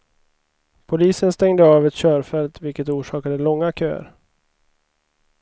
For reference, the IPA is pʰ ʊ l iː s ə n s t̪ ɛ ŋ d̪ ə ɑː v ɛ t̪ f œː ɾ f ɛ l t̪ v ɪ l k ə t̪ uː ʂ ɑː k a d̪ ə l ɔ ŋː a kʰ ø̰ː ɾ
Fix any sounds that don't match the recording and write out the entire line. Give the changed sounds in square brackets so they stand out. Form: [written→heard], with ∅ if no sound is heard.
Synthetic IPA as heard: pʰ ʊ l iː s ə n s t̪ ɛ ŋ d̪ ə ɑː v ɛ t̪ [f→ɕ] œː ɾ f ɛ l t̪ v ɪ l k ə t̪ uː ʂ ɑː k a d̪ ə l ɔ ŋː a kʰ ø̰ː ɾ